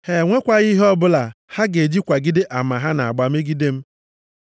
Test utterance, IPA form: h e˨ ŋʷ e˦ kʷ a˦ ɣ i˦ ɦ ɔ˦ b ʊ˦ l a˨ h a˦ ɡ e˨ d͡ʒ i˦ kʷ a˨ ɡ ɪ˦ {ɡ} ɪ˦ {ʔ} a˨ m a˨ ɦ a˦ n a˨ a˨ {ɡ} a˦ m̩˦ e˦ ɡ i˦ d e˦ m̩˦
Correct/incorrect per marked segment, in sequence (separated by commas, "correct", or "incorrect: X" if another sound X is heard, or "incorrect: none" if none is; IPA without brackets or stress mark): incorrect: d, correct, incorrect: ɡ͡b